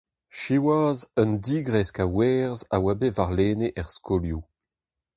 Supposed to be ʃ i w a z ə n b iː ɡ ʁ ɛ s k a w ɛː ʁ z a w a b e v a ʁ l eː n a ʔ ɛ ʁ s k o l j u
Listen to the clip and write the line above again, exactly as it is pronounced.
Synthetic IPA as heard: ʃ i w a z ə n d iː ɡ ʁ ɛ s k a w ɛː ʁ z a w a b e v a ʁ l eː n e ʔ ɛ ʁ s k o l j u